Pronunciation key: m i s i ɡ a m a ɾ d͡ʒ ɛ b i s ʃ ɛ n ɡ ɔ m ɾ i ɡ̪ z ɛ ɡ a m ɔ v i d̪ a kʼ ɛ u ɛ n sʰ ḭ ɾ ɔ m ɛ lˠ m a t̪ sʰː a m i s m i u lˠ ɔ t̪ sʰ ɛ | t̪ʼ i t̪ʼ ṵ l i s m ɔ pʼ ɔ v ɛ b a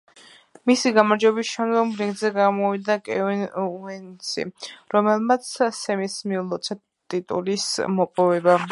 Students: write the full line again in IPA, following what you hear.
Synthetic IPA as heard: m i s i ɡ a m a ɾ d͡ʒ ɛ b i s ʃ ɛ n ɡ ɔ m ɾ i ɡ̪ z ɛ ɡ a m ɔ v i d̪ a kʼ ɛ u ɛ n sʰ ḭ ɾ ɔ m ɛ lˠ m a t̪ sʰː ɛ m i s m i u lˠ ɔ t̪ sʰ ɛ | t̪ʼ i t̪ʼ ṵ l i s m ɔ pʼ ɔ v ɛ b a